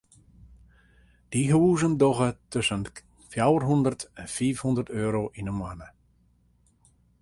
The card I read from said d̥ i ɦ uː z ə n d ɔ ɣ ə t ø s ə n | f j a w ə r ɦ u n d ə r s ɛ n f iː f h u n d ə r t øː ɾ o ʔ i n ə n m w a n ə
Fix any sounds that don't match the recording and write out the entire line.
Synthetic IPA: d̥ i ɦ uː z ə n d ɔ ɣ ə t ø s ə n | f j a w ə r ɦ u n d ə r t ɛ n f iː f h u n d ə r t øː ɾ o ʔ i n ə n m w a n ə